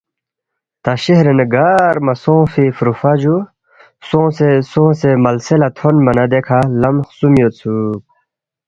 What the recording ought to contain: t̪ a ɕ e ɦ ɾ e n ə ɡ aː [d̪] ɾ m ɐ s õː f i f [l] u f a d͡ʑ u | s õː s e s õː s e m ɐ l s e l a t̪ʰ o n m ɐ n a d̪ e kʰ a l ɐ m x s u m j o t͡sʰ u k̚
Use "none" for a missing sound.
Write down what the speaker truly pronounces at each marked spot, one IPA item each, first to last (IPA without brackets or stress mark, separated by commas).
none, ɾ